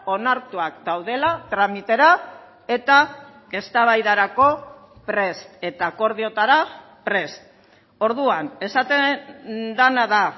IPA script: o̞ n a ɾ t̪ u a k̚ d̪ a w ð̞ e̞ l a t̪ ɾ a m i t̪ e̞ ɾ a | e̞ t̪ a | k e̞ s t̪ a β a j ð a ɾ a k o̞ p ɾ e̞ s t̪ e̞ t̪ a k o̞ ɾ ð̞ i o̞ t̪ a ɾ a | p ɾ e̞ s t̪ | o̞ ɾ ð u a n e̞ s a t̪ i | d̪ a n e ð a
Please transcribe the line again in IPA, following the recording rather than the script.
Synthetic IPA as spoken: o̞ n a ɾ t̪ u a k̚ d̪ a w ð̞ e̞ l a t̪ ɾ a m i t̪ e̞ ɾ a | e̞ t̪ a | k e̞ s t̪ a β a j ð a ɾ a k o̞ p ɾ e̞ s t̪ e̞ t̪ a k o̞ ɾ ð̞ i o̞ t̪ a ɾ a | p ɾ e̞ s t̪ | o̞ ɾ ð u a n e̞ s a t̪ e | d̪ a n a ð a